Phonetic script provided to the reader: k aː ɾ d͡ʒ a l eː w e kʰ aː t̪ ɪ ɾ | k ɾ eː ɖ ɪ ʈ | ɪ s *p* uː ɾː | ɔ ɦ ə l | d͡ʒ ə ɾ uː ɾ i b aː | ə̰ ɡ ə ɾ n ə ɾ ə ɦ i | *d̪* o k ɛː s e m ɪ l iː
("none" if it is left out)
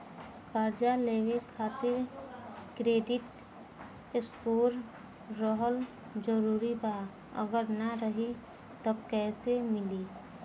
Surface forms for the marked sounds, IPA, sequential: k, t̪

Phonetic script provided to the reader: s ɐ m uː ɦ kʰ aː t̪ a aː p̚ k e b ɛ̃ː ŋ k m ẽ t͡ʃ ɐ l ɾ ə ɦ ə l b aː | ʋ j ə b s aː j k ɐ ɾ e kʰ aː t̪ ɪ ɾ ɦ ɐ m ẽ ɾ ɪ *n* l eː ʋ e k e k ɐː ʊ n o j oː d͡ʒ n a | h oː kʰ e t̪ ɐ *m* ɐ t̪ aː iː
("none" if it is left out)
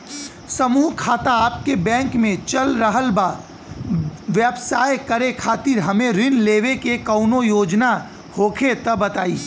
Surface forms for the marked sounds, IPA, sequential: n, b

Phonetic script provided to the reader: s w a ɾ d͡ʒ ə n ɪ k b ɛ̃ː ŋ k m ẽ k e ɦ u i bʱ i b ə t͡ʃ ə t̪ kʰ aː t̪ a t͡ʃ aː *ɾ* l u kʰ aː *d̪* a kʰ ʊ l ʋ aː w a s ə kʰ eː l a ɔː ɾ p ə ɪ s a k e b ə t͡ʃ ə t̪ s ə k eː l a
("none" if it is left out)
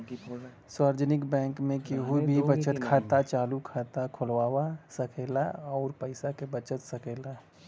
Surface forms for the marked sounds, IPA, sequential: none, t̪

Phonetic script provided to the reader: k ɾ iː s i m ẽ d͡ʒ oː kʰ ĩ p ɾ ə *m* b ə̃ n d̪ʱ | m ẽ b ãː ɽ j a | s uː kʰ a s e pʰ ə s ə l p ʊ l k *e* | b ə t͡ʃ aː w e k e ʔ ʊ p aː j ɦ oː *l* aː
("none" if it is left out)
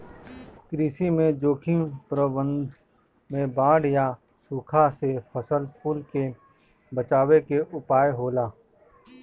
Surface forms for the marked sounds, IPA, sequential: none, e, l

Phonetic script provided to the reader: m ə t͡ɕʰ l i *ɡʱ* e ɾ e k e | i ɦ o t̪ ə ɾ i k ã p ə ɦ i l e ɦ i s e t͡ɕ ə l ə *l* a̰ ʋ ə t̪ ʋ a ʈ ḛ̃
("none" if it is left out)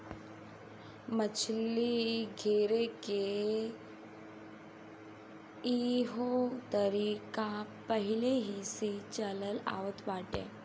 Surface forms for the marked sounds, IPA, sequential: ɡʱ, l

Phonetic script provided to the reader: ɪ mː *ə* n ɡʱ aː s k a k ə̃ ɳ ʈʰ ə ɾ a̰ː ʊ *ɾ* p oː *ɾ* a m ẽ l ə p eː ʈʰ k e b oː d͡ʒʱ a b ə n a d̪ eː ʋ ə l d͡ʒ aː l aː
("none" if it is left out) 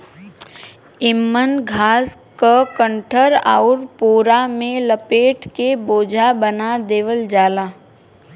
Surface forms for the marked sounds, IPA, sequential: ə, ɾ, ɾ

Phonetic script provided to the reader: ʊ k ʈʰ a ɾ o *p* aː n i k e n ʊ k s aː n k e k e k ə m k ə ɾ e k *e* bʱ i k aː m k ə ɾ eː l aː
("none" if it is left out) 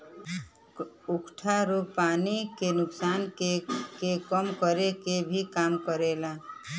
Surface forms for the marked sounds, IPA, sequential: p, e

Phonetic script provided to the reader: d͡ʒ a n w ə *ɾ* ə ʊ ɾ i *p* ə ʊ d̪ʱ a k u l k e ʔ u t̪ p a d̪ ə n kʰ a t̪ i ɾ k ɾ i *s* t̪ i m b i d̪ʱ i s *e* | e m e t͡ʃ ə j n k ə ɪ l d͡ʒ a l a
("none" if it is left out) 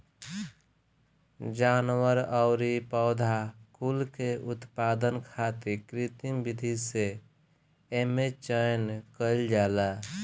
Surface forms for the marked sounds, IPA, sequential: ɾ, p, none, e

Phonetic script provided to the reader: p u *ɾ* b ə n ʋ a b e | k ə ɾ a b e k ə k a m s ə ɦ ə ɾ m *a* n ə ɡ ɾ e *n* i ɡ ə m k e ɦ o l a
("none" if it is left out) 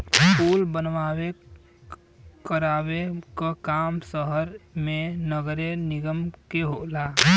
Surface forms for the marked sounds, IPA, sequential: l, e, n

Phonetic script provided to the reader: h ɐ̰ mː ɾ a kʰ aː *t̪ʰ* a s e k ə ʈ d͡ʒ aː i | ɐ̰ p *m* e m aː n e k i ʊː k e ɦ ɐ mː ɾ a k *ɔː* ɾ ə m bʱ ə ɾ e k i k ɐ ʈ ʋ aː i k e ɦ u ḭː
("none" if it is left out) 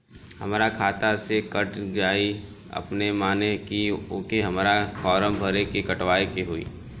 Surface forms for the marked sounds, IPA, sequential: t̪, n, ɔː

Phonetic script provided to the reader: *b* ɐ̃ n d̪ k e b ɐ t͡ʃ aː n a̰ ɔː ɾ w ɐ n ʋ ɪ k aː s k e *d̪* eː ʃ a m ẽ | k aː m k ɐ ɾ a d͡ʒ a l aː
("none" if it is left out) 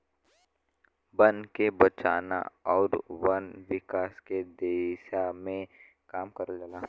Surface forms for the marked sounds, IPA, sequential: b, d̪

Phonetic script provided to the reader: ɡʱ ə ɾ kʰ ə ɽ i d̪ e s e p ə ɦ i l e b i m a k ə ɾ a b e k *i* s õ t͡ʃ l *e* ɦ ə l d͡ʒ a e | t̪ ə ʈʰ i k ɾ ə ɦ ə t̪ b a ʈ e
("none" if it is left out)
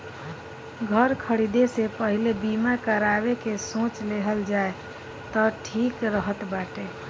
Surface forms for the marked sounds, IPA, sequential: e, e

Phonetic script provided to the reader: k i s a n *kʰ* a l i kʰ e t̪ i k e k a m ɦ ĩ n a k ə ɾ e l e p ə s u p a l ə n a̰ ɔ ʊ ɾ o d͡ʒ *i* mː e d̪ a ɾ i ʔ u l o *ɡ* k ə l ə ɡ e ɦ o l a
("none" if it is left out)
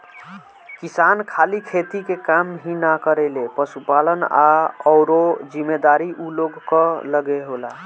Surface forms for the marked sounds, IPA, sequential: kʰ, i, ɡ

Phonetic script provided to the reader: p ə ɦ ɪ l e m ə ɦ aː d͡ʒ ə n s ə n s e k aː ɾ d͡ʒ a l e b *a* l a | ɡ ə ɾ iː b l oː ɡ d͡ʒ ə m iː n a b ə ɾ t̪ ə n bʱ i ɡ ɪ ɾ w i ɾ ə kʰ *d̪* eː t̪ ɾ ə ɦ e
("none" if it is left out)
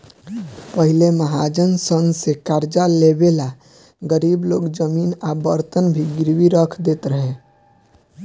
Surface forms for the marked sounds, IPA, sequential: e, d̪

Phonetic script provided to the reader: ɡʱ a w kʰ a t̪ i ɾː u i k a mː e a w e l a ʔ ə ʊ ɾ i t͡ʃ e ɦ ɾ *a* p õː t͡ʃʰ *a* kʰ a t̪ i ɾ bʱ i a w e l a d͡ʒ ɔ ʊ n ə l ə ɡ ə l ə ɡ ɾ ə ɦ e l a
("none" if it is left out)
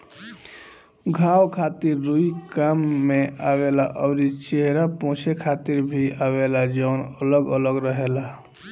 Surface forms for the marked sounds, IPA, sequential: a, e

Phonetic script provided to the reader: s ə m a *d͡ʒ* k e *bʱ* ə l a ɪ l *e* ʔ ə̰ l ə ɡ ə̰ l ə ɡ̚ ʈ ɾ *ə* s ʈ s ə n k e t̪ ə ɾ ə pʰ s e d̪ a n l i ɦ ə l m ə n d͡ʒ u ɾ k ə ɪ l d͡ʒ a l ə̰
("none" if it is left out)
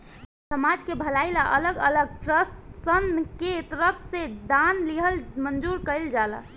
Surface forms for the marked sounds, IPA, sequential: d͡ʒ, bʱ, a, ə

